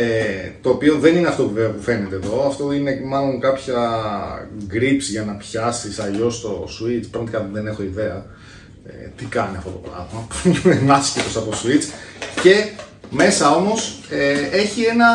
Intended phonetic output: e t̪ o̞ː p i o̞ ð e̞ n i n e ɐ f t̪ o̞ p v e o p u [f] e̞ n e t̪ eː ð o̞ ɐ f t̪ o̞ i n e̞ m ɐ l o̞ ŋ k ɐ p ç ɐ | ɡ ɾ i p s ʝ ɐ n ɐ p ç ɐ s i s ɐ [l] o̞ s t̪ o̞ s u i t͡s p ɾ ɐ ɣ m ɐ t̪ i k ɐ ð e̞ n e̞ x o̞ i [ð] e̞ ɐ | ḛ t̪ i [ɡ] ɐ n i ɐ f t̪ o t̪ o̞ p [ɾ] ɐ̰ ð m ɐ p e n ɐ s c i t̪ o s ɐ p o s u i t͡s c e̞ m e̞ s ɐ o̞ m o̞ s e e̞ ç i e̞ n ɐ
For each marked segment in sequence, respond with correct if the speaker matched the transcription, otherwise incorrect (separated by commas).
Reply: correct, incorrect, correct, incorrect, correct